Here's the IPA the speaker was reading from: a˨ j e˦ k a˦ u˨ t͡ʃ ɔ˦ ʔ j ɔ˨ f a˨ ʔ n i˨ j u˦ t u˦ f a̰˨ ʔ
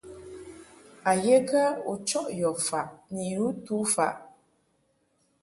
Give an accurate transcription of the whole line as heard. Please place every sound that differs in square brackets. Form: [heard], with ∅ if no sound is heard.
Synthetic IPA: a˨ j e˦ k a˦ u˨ t͡ʃ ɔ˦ ʔ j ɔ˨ f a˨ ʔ n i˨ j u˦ t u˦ f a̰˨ ʔ